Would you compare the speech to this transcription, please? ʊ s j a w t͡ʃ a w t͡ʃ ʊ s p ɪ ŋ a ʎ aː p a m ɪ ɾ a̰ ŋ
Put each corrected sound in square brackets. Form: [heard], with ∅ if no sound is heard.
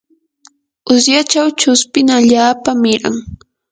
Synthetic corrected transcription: ʊ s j a [∅] t͡ʃ a w t͡ʃ ʊ s p ɪ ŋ a ʎ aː p a m ɪ ɾ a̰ ŋ